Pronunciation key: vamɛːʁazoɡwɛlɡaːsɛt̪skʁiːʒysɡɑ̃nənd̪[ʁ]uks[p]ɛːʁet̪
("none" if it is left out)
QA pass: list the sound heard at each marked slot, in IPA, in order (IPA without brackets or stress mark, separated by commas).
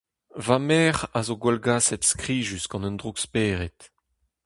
ʁ, p